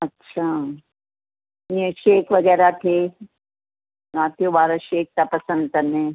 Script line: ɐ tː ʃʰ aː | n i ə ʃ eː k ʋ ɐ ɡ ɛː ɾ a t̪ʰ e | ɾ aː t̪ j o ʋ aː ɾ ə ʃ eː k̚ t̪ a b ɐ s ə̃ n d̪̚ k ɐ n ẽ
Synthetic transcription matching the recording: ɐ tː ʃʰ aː | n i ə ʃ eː k ʋ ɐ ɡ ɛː ɾ a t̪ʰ e | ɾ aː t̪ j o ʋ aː ɾ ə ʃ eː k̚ t̪ a p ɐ s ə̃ n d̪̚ k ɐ n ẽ